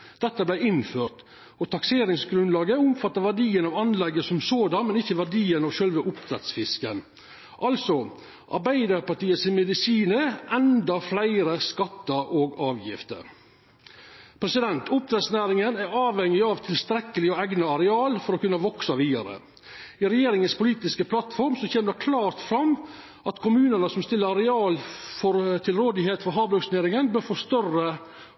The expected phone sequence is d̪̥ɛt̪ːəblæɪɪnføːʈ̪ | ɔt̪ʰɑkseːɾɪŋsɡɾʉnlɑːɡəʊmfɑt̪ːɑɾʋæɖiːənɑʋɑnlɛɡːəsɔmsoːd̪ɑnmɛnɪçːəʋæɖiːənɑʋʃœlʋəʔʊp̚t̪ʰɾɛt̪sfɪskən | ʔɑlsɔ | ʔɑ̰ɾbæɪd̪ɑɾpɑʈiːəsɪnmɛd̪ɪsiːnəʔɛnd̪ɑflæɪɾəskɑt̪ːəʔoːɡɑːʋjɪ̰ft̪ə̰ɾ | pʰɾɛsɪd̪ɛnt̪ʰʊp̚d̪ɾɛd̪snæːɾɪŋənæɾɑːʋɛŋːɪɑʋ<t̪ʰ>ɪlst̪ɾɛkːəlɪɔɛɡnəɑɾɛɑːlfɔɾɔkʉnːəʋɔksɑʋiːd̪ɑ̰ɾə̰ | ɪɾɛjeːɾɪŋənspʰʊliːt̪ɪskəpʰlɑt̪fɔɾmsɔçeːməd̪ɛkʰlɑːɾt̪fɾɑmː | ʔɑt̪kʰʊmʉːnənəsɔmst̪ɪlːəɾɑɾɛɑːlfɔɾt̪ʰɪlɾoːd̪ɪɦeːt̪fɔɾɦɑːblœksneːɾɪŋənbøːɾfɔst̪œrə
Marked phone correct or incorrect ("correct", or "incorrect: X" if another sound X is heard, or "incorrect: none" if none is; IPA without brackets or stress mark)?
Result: correct